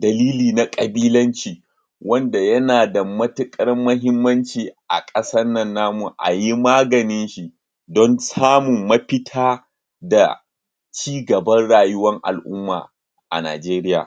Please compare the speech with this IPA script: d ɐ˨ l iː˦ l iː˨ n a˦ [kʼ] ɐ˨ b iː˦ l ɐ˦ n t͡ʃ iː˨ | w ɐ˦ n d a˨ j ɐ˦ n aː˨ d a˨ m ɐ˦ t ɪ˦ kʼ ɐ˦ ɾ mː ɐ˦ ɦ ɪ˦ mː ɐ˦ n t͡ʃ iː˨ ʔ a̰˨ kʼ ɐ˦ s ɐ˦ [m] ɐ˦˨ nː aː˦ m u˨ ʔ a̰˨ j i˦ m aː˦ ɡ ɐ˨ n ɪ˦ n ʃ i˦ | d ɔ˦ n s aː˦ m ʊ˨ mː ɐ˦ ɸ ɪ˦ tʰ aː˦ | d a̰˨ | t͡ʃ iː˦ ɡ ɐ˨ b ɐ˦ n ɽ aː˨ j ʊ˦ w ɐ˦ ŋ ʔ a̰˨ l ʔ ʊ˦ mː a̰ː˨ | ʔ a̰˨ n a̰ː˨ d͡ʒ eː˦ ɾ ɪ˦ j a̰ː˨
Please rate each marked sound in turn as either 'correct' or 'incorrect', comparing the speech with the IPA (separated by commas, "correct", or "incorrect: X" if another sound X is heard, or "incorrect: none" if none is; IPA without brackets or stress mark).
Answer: correct, incorrect: n